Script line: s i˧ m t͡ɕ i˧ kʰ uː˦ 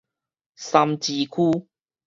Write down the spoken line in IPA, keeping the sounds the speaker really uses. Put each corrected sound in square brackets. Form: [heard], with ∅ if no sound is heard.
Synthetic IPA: s [a˧] m t͡ɕ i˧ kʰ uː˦

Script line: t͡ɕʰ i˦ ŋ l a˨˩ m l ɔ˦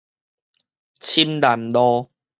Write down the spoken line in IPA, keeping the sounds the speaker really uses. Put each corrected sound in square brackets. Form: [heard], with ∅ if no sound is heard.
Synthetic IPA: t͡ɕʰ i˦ [m] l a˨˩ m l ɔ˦

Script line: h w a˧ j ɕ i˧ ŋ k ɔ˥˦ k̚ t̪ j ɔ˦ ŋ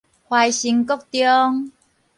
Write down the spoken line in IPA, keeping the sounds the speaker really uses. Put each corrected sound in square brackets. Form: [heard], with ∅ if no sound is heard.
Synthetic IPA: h w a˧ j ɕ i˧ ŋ k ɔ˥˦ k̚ t̪ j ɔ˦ ŋ

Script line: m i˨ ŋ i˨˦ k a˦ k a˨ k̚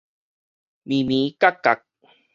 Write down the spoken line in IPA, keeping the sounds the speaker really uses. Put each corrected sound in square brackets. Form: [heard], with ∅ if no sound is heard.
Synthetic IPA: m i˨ [m] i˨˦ k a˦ k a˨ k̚

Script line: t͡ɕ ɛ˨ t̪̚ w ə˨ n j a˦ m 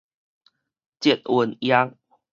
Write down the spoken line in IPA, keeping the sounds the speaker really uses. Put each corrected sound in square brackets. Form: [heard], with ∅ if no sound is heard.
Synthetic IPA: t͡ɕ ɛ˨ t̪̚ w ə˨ n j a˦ [ŋ]

